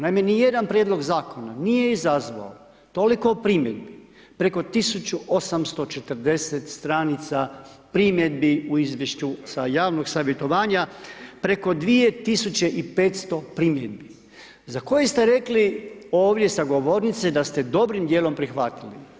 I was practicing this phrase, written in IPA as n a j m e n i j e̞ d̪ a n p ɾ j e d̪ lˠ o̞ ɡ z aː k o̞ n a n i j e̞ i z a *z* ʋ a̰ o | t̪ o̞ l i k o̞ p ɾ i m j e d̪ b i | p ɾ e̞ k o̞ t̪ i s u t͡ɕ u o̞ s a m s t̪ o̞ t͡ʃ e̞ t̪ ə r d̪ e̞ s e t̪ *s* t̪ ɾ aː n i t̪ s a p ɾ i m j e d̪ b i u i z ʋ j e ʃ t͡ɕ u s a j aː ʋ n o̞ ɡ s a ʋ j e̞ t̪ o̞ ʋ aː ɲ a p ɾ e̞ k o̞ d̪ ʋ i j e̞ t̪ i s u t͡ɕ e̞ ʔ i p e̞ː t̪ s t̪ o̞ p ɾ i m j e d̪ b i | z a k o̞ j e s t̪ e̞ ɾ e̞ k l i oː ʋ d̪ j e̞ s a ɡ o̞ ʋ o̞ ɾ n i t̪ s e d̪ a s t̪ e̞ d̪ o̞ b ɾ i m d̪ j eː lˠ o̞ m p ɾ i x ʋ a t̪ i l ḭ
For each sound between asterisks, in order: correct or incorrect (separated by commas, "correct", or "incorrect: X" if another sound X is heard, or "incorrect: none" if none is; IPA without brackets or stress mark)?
correct, correct